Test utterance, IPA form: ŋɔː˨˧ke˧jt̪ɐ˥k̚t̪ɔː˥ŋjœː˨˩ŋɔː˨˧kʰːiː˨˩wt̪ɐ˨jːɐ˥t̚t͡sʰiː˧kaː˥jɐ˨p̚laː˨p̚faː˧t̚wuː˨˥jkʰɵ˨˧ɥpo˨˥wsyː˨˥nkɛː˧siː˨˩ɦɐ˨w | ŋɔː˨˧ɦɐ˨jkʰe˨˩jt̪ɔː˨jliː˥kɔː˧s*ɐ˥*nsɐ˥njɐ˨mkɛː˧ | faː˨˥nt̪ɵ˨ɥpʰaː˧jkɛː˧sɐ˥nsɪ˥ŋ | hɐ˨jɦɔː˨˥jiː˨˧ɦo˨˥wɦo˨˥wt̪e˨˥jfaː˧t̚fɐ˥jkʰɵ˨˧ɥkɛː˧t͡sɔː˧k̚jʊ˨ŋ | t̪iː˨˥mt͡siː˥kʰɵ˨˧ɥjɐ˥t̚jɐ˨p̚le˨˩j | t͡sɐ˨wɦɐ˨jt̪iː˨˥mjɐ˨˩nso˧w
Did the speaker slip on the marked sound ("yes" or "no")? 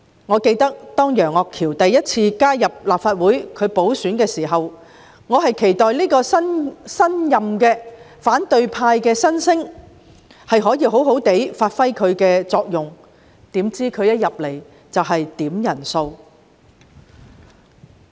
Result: no